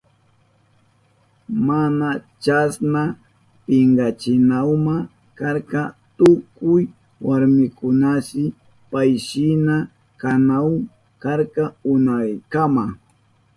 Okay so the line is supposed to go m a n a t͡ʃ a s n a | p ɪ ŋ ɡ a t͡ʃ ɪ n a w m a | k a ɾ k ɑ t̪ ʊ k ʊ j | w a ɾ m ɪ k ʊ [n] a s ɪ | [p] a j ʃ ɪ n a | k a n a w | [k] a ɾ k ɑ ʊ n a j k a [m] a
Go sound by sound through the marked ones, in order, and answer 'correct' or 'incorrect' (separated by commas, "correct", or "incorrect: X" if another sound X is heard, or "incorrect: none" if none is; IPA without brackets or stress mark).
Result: correct, correct, correct, correct